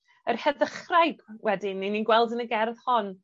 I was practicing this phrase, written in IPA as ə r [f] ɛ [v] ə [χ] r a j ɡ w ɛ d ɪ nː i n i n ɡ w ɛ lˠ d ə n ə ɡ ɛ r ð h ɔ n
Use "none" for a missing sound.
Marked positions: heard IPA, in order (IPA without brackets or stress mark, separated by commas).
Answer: h, ð, χ